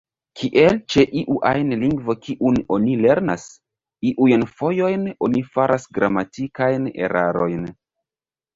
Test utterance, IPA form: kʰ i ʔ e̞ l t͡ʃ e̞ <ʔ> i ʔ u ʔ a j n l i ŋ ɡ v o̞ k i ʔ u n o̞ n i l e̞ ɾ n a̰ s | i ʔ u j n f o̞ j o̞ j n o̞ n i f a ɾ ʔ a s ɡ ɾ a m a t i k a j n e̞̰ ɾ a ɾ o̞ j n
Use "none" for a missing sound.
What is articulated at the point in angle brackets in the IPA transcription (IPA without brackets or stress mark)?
ʔ